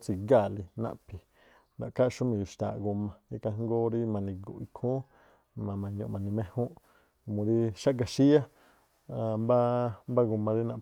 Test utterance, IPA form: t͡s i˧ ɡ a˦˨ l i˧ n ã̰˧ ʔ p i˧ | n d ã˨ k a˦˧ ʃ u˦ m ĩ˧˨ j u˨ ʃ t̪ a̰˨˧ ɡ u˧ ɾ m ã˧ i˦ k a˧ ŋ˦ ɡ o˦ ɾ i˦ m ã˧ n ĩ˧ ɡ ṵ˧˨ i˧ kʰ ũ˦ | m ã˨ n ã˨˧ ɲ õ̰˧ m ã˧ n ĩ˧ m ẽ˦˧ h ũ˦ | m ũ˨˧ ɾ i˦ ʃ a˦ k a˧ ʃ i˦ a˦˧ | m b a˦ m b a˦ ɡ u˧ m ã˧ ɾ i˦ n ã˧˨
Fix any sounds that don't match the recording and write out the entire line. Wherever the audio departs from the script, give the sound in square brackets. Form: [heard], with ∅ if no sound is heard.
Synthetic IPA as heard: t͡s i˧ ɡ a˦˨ l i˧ n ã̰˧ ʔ p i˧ | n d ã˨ k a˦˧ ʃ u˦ m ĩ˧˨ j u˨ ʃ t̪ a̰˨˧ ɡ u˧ [∅] m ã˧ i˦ k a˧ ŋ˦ ɡ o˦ ɾ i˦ m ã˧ n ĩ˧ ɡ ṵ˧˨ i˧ kʰ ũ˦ | m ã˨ [m] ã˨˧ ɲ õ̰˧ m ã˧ n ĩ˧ m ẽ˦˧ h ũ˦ | m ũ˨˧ ɾ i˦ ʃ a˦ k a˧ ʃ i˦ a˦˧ | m b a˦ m b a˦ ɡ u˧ m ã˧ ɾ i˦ n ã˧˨